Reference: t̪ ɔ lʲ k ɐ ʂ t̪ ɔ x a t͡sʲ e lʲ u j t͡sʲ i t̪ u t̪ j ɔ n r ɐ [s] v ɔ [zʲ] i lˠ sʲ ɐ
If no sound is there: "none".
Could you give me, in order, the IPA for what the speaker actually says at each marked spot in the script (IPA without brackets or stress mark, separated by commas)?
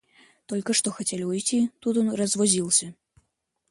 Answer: z, zʲ